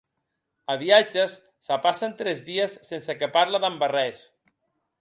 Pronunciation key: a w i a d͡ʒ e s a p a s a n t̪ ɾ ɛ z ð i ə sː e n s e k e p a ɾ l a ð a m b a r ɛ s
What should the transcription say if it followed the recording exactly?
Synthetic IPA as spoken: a β i a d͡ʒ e sː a p a s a n t̪ ɾ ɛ z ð i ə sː e n s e k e p a ɾ l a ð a m b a r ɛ s